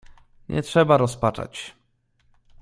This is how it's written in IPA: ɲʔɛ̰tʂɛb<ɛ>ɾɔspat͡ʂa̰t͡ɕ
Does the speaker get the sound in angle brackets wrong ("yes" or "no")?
yes